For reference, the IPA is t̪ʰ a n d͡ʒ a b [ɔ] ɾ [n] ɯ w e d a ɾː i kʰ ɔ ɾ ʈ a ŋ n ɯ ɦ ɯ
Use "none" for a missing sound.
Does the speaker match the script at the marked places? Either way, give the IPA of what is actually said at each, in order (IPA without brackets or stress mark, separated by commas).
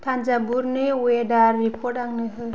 u, n